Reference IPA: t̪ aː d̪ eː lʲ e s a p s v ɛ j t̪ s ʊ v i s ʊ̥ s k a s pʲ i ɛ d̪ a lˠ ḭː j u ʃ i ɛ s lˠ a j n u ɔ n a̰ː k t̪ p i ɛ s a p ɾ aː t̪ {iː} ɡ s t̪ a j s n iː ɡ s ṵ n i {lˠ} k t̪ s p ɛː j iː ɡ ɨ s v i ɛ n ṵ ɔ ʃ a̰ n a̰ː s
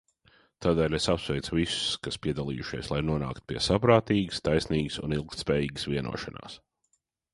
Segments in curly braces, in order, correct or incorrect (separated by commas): correct, correct